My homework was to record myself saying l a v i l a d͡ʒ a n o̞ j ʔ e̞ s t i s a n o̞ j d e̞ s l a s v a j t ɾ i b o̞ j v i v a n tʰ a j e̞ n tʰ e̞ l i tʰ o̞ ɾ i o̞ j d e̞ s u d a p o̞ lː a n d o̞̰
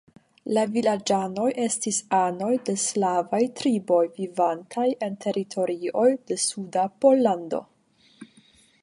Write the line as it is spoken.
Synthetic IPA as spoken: l a v i l a d͡ʒ a n o̞ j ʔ e̞ s t i s a n o̞ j d e̞ s l a v a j t ɾ i b o̞ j v i v a n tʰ a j e̞ n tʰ e̞ ɾ i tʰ o̞ ɾ i o̞ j d e̞ s u d a p o̞ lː a n d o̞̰

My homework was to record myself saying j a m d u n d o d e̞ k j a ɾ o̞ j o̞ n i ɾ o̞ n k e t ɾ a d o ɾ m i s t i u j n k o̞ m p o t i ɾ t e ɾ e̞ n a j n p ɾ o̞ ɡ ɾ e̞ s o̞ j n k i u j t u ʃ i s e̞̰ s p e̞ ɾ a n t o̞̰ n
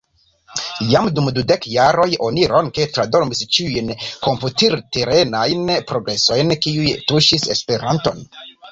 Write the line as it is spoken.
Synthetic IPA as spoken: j a m d u m d u d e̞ k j a ɾ o̞ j o̞ n i ɾ o̞ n k e t ɾ a d o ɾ m i s t͡ʃ i u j n k o̞ m p u t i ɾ t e ɾ e̞ n a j n p ɾ o̞ ɡ ɾ e̞ s o̞ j n k i u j t u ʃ i s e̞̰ s p e̞ ɾ a n t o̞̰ n

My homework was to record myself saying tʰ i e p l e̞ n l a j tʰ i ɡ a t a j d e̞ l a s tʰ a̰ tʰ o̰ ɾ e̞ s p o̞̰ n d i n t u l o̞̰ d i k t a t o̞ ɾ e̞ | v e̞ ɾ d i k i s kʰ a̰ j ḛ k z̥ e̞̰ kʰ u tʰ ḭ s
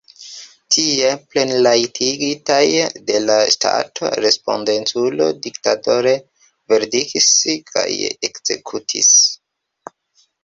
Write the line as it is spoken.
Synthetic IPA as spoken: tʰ i e p l e̞ n l a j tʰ i ɡ i t a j d e̞ l a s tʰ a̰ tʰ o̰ ɾ e̞ s p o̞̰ n d e n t u l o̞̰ d i k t a t o̞ ɾ e̞ | v e̞ ɾ d i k i s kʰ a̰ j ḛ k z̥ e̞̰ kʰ u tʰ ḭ s

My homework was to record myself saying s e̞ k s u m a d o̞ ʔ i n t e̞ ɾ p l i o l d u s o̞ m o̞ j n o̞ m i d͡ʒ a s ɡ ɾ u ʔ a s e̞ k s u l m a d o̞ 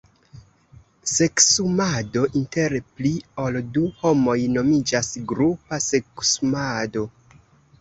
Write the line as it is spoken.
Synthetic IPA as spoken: s e̞ k s u m a d o̞ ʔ i n t e̞ ɾ p l i o l d u h o̞ m o̞ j n o̞ m i d͡ʒ a s ɡ ɾ u p a s e̞ k s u m a d o̞

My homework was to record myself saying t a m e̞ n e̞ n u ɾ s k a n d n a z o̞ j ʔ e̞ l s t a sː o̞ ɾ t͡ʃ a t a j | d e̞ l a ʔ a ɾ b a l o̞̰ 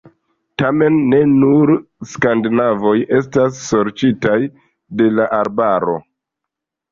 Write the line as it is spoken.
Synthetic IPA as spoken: t a m e̞ nː e̞ n u ɾ s k a n d n a v o̞ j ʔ e̞ s t a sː o̞ ɾ t͡ʃ i t a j | d e̞ l a ʔ a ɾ b a ɾ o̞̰

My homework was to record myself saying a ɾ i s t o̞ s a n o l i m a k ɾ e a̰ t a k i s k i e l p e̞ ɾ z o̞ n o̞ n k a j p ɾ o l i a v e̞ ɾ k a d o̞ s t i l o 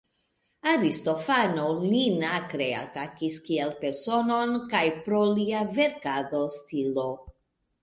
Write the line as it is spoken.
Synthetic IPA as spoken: a ɾ i s t o̞ f a n o l i n a k ɾ e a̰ t a k i s k i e l p e̞ ɾ s o̞ n o̞ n k a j p ɾ o l i a v e̞ ɾ k a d o̞ s t i l o

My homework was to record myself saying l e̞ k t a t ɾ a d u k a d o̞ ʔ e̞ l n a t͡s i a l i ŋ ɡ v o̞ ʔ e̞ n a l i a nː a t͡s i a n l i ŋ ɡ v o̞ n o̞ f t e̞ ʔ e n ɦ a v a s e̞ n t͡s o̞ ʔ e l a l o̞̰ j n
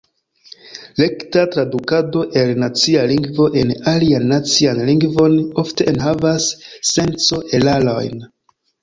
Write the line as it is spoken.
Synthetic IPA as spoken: l e̞ k t a t ɾ a d u k a d o̞ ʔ e̞ l n a t͡s i a l i ŋ ɡ v o̞ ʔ e̞ n a l i a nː a t͡s i a n l i ŋ ɡ v o̞ n o̞ f t e̞ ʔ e n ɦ a v a sː e̞ n t͡s o̞ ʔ e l a l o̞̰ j n

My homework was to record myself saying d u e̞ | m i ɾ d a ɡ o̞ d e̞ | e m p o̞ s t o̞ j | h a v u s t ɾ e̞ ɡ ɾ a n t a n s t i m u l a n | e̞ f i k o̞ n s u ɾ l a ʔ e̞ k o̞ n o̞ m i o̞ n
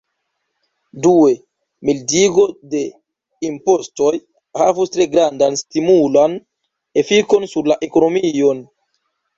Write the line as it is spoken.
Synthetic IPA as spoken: d u e̞ | m i l d i ɡ o̞ d e̞ | i m p o̞ s t o̞ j | h a v u s t ɾ e̞ ɡ ɾ a n d a n s t i m u l a n | e̞ f i k o̞ n s u ɾ l a ʔ e̞ k o̞ n o̞ m i o̞ n

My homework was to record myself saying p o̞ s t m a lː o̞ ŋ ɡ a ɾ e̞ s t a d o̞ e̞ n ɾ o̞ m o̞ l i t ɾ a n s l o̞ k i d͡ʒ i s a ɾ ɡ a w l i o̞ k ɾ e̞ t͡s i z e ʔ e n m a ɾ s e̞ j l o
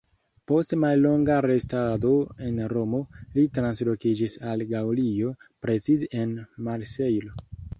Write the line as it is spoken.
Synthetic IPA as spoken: p o̞ s t m a lː o̞ ŋ ɡ a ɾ e̞ s t a d o̞ e̞ n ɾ o̞ m o̞ l i t ɾ a n s l o̞ k i d͡ʒ i s a l ɡ a w l i o̞ p ɾ e̞ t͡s i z e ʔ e n m a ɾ s e̞ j l o

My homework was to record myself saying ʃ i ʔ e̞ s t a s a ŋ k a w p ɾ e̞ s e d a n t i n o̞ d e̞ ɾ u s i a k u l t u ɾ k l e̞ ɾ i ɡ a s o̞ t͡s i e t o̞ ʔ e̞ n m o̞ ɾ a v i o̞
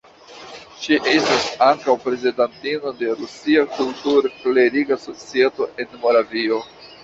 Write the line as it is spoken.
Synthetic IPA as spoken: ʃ i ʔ e̞ s t a s a ŋ k a w p ɾ e̞ z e d a n t i n o̞ d e̞ ɾ u s i a k u l t u ɾ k l e̞ ɾ i ɡ a s o̞ t͡s i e t o̞ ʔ e̞ n m o̞ ɾ a v i o̞

